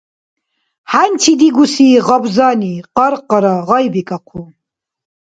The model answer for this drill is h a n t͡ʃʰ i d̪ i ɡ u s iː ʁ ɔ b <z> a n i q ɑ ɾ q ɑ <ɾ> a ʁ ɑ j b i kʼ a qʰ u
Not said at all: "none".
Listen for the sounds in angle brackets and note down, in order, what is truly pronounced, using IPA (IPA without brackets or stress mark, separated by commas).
z, ɾ